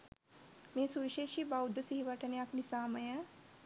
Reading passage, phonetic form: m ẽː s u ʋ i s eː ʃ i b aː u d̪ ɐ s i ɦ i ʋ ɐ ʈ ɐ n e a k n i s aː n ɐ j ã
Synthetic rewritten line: m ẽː s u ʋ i ʃ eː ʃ i b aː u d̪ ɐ s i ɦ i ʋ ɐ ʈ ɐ n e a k n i s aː m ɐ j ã